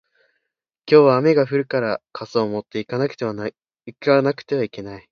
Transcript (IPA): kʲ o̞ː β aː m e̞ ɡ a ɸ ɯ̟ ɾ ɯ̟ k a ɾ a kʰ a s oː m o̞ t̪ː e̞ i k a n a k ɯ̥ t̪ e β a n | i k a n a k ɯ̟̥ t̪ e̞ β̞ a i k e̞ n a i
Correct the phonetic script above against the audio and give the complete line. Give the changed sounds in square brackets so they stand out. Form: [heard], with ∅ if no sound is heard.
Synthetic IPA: kʲ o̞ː β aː m e̞ ɡ a ɸ ɯ̟ ɾ ɯ̟ k a ɾ a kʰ a s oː m o̞ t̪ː e̞ i k a n a k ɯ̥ t̪ e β a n | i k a n a k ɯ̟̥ t̪ e̞ β̞ a i k e̞ n a i